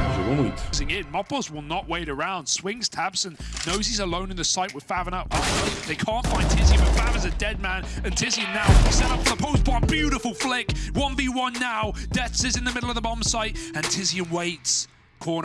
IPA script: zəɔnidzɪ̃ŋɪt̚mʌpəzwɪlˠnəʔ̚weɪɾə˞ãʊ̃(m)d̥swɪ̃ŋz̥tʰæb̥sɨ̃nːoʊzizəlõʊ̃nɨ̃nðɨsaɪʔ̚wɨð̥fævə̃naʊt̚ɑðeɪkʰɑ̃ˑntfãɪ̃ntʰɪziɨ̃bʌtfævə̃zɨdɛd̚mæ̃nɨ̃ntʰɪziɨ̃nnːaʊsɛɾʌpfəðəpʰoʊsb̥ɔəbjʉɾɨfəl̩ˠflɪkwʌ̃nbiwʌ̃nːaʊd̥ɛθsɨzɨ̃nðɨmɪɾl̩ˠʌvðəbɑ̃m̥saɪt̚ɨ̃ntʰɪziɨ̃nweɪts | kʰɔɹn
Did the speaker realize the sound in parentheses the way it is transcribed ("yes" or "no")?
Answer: no